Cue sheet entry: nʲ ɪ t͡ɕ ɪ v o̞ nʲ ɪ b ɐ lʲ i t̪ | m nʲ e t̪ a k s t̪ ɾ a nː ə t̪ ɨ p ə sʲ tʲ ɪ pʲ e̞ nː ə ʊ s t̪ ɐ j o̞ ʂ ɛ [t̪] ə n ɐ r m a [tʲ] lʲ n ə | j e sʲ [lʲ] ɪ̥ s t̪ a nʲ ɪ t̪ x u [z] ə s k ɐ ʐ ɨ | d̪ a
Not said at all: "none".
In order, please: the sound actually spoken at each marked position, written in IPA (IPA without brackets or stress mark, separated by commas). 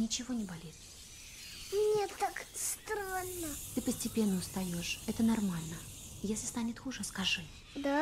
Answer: t̪, none, lʲ, ʐ